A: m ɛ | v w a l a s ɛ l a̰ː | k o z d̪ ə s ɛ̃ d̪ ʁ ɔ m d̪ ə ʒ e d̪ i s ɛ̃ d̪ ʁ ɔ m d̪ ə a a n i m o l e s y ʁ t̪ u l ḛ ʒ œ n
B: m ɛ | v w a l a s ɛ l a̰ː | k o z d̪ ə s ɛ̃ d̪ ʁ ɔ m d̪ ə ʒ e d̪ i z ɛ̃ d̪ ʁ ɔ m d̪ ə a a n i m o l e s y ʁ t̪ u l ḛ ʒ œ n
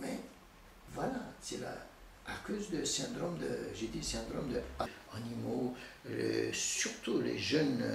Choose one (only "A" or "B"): A